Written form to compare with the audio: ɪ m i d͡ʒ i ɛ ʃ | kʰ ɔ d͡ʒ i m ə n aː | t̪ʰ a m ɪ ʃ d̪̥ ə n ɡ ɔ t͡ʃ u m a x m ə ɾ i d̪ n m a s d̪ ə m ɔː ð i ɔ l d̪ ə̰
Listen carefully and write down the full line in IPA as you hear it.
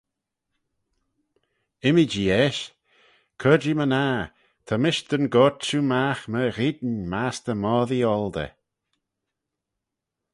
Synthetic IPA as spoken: ɪ m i d͡ʒ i ɛ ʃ | kʰ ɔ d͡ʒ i m ə n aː | t̪ʰ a m ɪ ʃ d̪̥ ə n ɡ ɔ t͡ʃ u m a x m ə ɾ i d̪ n m a s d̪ ə m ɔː ð i ɔ l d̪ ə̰